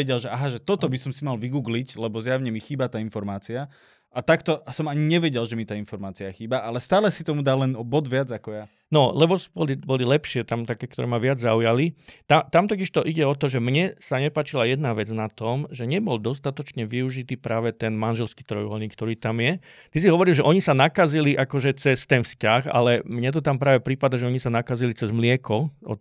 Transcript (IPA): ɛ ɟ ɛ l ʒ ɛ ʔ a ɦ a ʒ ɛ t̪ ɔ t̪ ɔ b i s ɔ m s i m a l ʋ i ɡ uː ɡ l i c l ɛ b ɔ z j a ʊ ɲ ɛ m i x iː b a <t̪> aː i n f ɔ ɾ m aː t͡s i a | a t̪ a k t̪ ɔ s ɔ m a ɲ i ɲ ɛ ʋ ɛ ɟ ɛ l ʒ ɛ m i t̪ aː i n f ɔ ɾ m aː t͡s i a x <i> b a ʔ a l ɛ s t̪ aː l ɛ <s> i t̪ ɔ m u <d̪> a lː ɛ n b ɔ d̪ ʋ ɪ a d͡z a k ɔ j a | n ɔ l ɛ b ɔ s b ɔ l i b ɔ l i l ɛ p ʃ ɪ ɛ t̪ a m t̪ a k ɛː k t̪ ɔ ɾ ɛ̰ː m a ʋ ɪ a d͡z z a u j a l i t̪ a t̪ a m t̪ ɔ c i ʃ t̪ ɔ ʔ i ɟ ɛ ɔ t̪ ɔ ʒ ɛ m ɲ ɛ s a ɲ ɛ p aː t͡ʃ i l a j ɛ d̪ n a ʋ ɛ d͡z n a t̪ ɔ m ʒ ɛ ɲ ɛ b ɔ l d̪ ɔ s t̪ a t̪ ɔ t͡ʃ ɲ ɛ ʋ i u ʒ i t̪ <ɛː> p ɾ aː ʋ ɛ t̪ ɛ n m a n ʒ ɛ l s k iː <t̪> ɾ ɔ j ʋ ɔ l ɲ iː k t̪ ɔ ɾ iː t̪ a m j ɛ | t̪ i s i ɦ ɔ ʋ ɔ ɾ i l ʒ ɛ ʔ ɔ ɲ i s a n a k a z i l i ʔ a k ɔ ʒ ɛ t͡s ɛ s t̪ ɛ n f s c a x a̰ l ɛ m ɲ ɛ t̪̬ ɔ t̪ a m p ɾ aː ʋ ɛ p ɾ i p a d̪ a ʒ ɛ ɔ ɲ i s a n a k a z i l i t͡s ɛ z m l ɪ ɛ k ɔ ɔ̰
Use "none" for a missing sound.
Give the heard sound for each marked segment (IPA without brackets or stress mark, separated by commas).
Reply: t̪, iː, s, d̪, iː, t̪